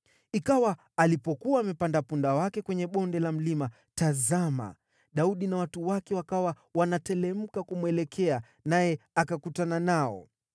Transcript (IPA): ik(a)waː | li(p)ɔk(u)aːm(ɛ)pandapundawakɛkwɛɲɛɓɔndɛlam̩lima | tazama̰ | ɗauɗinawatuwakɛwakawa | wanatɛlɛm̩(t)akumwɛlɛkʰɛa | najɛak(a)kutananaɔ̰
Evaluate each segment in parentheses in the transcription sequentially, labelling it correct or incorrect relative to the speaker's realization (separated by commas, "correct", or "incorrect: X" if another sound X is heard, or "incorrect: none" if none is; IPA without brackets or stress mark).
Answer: correct, correct, correct, correct, incorrect: k, correct